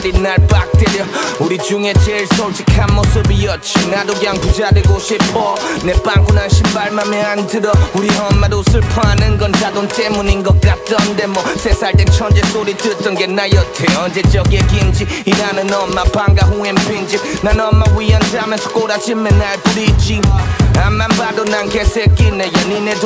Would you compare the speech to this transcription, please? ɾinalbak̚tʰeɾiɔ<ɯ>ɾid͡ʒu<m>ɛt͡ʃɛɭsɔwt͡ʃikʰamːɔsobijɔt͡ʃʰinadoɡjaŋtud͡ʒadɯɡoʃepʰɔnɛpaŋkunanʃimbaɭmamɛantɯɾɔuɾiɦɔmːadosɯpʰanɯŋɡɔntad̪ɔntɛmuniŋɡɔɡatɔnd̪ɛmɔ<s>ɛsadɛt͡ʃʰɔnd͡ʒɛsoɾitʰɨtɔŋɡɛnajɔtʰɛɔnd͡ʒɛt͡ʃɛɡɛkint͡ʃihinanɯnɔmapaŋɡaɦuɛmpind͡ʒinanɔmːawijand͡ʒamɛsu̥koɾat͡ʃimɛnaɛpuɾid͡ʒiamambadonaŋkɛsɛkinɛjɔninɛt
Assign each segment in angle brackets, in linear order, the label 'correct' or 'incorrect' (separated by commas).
incorrect, incorrect, correct